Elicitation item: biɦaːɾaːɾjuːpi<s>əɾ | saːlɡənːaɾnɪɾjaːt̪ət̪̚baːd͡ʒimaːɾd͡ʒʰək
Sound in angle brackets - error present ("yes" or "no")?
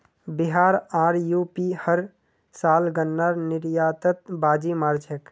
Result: yes